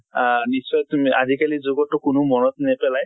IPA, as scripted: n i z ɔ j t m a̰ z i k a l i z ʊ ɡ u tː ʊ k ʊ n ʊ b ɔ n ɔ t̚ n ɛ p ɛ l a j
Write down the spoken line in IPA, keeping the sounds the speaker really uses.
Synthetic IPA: n i s ɔ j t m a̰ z i k a l i z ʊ ɡ ɔ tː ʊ k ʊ n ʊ m ɔ n ɔ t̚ n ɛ p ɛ l a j